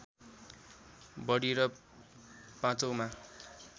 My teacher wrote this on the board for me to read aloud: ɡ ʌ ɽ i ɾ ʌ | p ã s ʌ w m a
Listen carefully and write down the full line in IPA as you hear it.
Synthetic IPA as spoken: b ʌ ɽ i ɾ ʌ | p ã t͡s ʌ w m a